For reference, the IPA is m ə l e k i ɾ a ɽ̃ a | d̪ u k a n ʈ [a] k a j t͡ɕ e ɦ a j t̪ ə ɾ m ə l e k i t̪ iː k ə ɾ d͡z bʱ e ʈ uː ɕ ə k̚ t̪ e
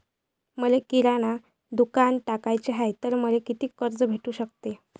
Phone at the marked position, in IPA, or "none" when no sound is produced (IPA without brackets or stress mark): a